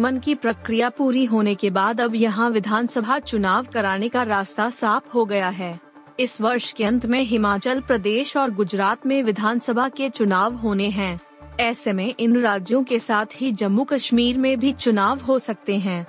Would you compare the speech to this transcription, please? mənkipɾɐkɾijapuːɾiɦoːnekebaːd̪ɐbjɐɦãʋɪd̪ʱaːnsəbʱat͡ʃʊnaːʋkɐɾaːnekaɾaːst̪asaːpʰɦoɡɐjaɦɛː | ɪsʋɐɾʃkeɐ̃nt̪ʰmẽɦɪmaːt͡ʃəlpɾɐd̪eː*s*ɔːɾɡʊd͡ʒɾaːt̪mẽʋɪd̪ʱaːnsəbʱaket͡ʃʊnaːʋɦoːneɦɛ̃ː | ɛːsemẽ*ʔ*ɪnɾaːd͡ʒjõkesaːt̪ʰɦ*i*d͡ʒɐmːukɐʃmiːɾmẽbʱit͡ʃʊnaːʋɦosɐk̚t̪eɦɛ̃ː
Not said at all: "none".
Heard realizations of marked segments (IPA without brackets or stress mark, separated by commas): ʃ, ʔ, i